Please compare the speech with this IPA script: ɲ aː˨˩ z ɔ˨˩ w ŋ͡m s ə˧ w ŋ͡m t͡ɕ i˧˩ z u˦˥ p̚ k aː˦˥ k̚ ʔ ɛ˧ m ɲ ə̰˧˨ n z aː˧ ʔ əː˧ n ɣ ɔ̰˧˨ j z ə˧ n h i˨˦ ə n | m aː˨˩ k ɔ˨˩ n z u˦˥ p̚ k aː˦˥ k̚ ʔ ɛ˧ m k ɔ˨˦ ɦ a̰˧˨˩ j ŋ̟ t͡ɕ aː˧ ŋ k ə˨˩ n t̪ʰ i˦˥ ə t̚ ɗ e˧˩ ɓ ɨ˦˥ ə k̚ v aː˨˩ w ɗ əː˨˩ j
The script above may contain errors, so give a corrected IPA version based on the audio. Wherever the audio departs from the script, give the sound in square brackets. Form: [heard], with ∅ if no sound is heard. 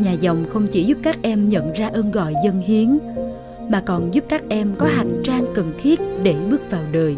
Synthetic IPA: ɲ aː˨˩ z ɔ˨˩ w ŋ͡m [x] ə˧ w ŋ͡m t͡ɕ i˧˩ z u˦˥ p̚ k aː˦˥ k̚ ʔ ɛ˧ m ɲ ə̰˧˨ n z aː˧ ʔ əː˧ n ɣ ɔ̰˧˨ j z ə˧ n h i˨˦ ə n | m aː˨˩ k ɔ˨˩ n z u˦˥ p̚ k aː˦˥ k̚ ʔ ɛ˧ m k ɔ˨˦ ɦ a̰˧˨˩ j ŋ̟ t͡ɕ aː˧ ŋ k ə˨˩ n t̪ʰ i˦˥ ə t̚ ɗ e˧˩ ɓ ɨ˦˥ ə k̚ v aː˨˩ w ɗ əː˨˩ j